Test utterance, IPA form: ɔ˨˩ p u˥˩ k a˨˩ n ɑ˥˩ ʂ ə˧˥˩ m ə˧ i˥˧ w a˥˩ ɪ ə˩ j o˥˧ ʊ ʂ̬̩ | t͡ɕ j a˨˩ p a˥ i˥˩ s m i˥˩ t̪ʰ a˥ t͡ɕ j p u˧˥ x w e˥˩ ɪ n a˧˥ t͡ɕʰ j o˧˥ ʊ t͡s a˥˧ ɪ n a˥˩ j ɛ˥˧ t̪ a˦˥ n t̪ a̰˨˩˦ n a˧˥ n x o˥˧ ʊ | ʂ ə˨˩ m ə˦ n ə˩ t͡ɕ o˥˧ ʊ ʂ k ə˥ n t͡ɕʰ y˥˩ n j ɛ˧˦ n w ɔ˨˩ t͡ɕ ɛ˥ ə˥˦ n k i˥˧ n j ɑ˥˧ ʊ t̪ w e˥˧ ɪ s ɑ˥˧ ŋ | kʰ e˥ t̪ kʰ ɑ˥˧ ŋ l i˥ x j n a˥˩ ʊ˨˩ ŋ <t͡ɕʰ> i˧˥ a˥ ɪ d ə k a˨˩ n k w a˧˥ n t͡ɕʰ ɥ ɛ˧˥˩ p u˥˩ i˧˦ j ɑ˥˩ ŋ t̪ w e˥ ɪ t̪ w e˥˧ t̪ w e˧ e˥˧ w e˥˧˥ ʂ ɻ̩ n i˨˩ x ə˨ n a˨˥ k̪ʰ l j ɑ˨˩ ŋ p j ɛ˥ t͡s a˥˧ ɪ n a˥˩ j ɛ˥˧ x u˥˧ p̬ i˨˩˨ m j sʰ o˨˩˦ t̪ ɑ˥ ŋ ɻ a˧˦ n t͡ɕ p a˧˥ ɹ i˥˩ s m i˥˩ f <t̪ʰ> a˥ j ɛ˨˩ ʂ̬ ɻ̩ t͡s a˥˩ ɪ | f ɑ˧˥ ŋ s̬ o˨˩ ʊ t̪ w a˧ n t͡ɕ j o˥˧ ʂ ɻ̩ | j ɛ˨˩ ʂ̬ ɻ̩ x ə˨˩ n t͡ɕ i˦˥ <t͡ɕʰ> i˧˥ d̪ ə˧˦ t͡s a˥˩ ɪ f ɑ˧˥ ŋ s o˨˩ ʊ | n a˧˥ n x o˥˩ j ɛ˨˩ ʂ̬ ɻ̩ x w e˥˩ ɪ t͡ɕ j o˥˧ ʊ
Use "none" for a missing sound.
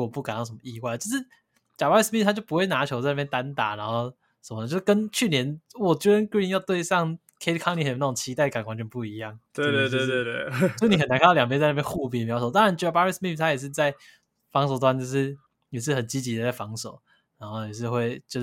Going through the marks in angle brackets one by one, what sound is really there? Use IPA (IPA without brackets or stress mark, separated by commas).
t͡ɕʰ, t̪ʰ, t͡ɕ